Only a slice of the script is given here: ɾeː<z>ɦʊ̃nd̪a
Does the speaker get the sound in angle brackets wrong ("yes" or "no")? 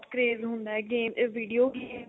no